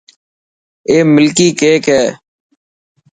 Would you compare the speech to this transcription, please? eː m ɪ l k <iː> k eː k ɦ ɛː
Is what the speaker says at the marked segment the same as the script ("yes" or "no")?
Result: yes